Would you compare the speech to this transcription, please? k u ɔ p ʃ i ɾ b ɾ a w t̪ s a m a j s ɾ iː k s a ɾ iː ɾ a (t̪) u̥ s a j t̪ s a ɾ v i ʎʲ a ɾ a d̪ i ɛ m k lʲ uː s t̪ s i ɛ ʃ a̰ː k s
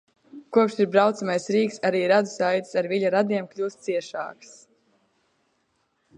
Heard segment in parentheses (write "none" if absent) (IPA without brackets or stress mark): d̪